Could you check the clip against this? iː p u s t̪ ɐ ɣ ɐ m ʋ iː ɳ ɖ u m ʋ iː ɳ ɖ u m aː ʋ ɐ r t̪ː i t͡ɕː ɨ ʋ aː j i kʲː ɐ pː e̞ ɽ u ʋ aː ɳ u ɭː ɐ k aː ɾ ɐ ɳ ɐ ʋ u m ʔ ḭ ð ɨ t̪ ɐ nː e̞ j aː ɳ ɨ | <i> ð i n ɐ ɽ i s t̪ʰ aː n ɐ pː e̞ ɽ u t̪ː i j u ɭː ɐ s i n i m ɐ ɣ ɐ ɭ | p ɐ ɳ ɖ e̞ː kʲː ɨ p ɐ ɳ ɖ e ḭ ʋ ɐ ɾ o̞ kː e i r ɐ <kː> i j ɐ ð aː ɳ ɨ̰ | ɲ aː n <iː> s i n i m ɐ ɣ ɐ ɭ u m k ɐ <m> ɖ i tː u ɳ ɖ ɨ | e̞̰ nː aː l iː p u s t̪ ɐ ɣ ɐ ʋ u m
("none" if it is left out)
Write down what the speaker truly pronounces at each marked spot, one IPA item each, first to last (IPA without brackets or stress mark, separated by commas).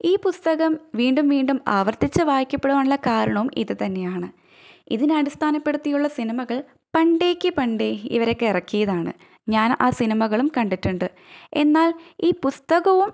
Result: i, kː, aː, ɳ